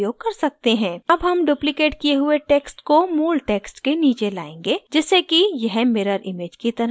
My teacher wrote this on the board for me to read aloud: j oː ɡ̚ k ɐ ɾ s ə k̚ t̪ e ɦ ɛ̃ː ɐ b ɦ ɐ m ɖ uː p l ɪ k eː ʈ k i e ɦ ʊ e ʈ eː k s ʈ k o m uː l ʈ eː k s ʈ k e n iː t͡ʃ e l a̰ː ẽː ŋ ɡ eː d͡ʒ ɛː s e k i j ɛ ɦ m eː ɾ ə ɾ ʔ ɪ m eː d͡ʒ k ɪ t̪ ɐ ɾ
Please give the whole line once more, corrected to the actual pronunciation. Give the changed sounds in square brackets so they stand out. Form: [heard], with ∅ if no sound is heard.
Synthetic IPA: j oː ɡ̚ k ɐ ɾ s [ɐ] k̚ t̪ e ɦ ɛ̃ː ɐ b ɦ ɐ m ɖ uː p l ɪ k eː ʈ k i e ɦ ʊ e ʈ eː k s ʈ k o m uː l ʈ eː k s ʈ k e n iː t͡ʃ e l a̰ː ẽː ŋ ɡ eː d͡ʒ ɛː s e k i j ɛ ɦ m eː ɾ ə ɾ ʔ ɪ m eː d͡ʒ k [i] t̪ ɐ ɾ